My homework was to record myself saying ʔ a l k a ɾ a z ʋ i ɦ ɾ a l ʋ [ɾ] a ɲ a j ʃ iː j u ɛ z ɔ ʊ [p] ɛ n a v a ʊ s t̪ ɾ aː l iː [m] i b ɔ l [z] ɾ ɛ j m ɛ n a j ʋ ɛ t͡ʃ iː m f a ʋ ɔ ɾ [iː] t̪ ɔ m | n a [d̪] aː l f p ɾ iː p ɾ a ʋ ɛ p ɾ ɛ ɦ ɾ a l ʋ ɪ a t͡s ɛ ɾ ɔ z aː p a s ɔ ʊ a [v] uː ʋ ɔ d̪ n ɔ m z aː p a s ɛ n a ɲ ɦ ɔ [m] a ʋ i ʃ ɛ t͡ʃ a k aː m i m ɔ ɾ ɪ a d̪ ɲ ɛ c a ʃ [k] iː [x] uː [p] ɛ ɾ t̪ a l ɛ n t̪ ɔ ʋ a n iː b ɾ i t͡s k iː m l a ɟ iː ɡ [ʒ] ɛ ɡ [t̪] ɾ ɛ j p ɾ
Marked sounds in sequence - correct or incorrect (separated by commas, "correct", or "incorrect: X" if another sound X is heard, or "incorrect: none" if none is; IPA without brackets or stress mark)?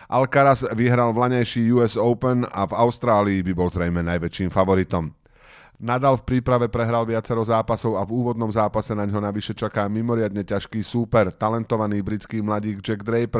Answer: incorrect: l, correct, incorrect: b, correct, incorrect: i, correct, correct, incorrect: n, correct, incorrect: s, correct, incorrect: d͡ʒ, incorrect: d̪